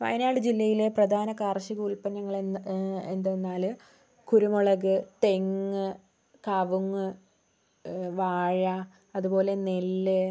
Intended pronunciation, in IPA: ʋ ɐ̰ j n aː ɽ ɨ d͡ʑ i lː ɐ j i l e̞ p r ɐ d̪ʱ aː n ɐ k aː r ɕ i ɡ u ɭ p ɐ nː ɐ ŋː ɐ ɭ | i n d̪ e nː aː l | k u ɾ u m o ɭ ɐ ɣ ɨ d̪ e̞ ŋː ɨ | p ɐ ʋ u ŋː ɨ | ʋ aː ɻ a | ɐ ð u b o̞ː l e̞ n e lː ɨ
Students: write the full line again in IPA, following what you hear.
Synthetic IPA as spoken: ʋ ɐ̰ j n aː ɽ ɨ d͡ʑ i lː ɐ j i l e̞ p r ɐ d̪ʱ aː n ɐ k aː r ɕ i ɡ u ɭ p ɐ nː ɐ ŋː ɐ ɭ | e n d̪ e nː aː l | k u ɾ u m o ɭ ɐ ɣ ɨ t̪ e̞ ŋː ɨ | k ɐ ʋ u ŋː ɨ | ʋ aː ɻ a | ɐ ð u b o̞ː l e̞ n e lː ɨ